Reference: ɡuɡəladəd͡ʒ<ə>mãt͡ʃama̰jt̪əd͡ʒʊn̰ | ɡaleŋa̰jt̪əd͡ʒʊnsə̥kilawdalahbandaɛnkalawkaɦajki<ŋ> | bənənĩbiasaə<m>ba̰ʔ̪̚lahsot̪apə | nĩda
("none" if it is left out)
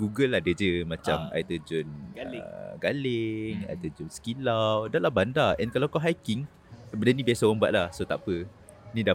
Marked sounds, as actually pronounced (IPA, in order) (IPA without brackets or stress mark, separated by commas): ə, ŋ, m